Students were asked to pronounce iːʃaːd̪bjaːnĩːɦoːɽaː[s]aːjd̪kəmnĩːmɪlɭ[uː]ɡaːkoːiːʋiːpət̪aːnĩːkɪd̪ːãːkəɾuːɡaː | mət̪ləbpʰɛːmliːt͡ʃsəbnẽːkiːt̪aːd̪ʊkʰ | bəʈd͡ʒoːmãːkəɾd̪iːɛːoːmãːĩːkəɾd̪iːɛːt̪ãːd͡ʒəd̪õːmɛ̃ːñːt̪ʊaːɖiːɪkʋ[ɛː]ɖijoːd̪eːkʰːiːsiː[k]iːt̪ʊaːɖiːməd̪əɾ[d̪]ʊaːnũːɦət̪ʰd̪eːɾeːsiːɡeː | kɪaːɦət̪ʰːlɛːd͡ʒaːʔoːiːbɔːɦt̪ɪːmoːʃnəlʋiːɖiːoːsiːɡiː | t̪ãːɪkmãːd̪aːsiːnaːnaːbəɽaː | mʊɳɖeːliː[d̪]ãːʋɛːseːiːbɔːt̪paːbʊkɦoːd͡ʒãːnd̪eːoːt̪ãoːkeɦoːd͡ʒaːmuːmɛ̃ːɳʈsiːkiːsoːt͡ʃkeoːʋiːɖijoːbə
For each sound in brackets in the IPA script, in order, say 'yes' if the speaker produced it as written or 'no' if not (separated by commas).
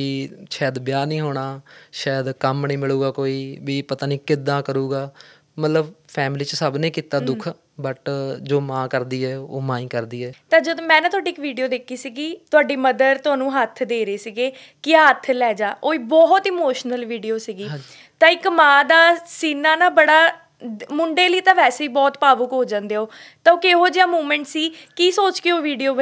no, yes, no, no, no, no